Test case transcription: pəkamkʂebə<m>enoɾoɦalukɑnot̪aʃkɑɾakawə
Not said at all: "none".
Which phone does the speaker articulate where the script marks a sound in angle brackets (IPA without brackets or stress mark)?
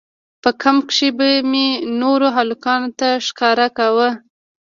m